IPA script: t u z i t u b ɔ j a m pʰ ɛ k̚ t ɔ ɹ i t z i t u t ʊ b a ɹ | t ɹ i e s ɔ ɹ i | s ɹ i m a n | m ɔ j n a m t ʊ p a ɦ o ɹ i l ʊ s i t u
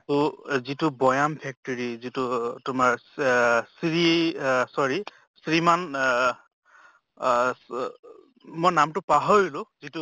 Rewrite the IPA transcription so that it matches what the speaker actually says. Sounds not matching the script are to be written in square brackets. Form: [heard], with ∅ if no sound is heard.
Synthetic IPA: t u z i t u b ɔ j a m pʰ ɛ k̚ t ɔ ɹ i [∅] z i t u t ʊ [m] a ɹ | [s] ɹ i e s ɔ ɹ i | s ɹ i m a n | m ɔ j n a m t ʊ p a ɦ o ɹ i l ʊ [z] i t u

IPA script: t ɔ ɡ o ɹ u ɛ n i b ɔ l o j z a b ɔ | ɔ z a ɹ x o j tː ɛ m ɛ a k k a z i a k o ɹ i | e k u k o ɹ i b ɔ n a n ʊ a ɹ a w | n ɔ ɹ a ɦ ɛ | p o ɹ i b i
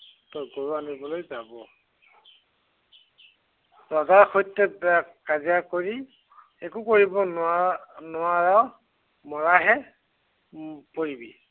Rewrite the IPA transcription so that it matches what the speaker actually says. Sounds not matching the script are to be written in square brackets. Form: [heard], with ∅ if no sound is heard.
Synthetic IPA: t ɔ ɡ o ɹ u [a] n i b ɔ l o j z a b ɔ | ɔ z a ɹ x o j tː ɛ [b] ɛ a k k a z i a k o ɹ i | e k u k o ɹ i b ɔ n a n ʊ a ɹ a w | [m] ɔ ɹ a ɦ ɛ | p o ɹ i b i

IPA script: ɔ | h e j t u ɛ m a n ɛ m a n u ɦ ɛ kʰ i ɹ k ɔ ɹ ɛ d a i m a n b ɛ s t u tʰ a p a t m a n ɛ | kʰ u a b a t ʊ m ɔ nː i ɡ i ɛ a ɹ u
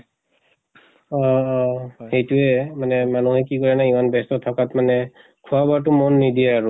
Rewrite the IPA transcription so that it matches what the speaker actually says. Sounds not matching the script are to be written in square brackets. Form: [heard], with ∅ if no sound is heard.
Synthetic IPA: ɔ | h e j t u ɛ m a n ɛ m a n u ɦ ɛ [k] i [∅] k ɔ ɹ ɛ [n] a i m a n b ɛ s t [ɔ] tʰ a [k] a t m a n ɛ | kʰ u a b a t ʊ m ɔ nː i [d] i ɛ a ɹ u

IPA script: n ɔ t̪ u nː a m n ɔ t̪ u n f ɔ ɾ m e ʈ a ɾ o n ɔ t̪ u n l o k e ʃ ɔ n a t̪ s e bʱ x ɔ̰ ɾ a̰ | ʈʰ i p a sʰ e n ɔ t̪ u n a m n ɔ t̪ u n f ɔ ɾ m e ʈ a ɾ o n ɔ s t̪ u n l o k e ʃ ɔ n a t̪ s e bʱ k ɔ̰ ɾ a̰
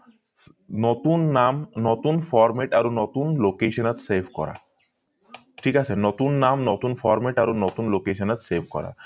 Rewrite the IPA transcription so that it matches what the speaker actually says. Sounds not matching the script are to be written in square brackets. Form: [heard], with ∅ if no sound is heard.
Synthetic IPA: n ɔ t̪ u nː a m n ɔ t̪ u n f ɔ ɾ m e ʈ a ɾ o n ɔ t̪ u n l o k e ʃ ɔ n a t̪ s e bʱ [k] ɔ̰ ɾ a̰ | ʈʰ i [k] a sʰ e n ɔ t̪ u [nː] a m n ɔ t̪ u n f ɔ ɾ m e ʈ a ɾ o n ɔ [∅] t̪ u n l o k e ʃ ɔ n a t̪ s e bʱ k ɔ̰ ɾ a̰

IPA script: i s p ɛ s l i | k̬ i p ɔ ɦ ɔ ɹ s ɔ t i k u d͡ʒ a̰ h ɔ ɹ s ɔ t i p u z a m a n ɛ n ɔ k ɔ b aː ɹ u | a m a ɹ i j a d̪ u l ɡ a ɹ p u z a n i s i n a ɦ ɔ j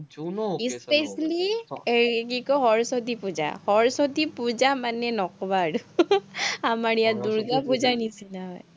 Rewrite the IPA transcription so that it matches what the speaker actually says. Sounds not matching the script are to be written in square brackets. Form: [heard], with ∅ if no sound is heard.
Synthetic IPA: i s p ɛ s l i | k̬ i [k] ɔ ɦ ɔ ɹ s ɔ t i [p] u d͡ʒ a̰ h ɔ ɹ s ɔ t i p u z a m a n ɛ n ɔ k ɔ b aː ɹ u | a m a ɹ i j a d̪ u [ɹ] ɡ a [∅] p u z a n i s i n a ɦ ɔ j

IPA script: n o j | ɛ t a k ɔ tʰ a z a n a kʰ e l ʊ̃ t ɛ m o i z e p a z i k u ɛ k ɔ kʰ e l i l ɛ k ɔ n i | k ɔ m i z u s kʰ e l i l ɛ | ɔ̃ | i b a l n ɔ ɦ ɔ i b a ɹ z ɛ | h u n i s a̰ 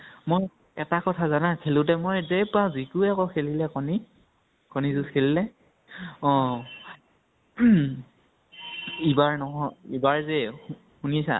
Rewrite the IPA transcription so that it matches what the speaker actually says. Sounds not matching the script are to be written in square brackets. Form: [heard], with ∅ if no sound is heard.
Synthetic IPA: [m] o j | ɛ t a k ɔ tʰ a z a n a kʰ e l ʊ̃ t ɛ m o [j] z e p a z i k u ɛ k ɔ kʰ e l i l ɛ k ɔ n i | k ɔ [n] i z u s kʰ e l i l ɛ | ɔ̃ | i b a [ɹ] n ɔ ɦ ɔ i b a ɹ z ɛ | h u n i s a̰

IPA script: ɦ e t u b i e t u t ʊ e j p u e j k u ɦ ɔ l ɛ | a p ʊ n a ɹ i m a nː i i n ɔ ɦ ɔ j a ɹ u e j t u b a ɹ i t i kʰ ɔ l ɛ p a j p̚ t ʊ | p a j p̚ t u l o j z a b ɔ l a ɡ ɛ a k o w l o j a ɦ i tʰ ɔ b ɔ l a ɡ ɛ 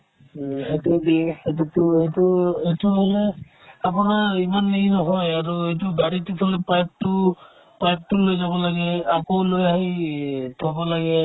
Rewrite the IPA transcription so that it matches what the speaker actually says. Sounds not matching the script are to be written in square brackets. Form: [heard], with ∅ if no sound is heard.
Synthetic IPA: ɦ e t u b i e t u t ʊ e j [t] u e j [t] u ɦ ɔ l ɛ | a p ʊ n a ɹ i m a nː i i n ɔ ɦ ɔ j a ɹ u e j t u b a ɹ i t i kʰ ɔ l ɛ p a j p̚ t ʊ | p a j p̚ t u l o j z a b ɔ l a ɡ ɛ a k o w l o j a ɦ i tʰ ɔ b ɔ l a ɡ ɛ

